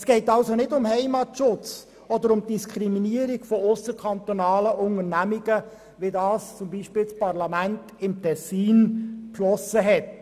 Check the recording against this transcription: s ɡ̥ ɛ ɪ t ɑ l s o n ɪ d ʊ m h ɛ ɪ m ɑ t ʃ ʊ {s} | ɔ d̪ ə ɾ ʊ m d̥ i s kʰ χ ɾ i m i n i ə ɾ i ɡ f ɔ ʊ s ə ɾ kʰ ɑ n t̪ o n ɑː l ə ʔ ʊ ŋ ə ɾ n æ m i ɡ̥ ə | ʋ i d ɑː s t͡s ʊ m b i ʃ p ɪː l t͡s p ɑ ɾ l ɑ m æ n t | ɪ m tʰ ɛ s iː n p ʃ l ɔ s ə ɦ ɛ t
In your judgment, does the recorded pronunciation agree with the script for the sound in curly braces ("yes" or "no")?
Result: no